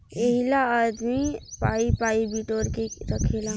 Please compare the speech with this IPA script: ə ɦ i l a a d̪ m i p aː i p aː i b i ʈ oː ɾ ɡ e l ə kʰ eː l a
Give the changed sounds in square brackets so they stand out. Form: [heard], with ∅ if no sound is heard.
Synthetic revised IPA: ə ɦ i l a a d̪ m i p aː i p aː i b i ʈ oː ɾ [k] e [ɾ] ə kʰ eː l a